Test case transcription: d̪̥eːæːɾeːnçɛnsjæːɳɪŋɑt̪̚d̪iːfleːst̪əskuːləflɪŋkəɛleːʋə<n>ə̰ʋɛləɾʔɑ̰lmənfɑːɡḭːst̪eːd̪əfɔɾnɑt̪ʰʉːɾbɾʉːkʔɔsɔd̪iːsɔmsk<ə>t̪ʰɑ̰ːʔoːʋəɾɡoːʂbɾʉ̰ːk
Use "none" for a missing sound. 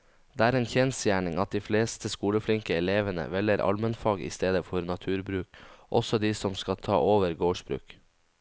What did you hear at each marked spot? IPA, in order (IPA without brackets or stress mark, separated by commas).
n, ɑ